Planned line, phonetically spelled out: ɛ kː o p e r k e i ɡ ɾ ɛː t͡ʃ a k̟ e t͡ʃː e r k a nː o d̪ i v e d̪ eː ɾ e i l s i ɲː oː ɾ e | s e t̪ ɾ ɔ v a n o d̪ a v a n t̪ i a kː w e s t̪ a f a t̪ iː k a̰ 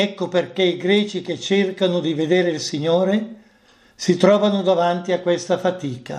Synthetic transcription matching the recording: ɛ kː o p e r k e i ɡ ɾ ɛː t͡ʃ i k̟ e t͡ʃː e r k a n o d̪ i v e d̪ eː ɾ e i l s i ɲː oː ɾ e | s i t̪ ɾ ɔː v a n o d̪ a v a n t̪ i a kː w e s t̪ a f a t̪ iː k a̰